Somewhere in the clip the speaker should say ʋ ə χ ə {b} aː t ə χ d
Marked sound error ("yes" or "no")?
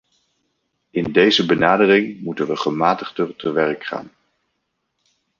yes